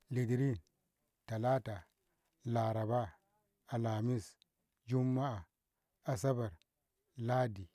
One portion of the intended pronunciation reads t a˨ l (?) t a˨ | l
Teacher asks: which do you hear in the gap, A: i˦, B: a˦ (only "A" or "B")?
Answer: B